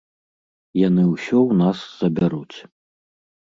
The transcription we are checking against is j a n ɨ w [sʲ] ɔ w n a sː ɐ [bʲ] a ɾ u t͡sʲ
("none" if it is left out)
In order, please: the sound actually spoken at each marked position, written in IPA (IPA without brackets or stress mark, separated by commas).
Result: sʲ, bʲ